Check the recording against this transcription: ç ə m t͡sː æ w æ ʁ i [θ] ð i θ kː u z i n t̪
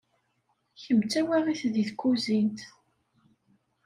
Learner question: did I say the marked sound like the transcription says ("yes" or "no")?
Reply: yes